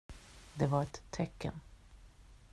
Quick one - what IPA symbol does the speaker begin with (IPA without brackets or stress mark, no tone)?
d̪